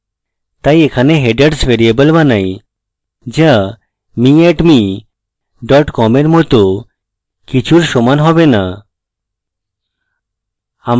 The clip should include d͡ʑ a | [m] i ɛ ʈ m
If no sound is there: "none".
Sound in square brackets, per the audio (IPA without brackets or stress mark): m